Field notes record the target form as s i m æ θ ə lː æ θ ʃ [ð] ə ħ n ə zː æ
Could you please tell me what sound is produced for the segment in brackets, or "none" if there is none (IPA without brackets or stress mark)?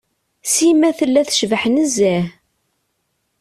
v